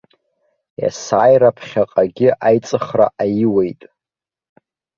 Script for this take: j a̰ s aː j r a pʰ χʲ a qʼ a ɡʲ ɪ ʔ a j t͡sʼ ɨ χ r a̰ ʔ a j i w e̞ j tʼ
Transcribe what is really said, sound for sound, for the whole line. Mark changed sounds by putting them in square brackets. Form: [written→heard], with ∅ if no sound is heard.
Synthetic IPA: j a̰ s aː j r a pʰ χʲ a qʼ a ɡʲ ɪ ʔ a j t͡sʼ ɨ χ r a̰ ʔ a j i w e̞ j tʼ